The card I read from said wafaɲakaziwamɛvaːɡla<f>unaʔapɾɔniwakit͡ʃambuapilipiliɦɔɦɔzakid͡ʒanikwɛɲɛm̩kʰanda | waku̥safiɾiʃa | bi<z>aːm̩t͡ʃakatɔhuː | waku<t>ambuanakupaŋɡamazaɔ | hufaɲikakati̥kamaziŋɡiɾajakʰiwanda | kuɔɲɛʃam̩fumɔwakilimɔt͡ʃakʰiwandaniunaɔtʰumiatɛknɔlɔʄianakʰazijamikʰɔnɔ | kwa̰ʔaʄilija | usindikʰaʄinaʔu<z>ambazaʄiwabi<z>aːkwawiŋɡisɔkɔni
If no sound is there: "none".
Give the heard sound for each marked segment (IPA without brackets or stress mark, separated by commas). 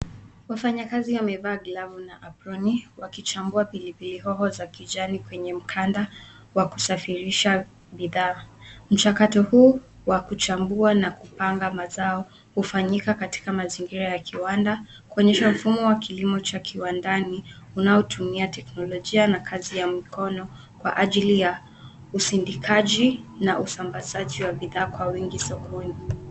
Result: v, ð, t͡ʃ, s, ð